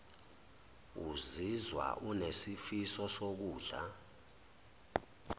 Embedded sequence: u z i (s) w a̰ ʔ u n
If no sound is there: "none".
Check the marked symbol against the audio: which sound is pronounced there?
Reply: z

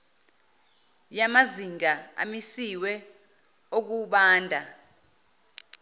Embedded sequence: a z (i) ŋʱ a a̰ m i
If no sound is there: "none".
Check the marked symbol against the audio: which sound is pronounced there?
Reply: i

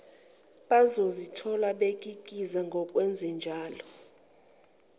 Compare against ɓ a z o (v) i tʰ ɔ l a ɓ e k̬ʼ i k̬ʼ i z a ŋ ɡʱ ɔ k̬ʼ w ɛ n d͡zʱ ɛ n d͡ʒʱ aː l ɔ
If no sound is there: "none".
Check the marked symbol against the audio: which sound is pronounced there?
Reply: z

